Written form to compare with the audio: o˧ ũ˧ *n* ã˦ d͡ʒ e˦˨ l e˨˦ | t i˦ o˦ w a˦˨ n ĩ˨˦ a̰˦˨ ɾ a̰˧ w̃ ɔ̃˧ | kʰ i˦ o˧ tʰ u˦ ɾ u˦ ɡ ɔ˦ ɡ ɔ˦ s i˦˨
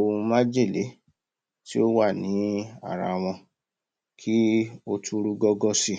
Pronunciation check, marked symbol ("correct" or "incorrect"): incorrect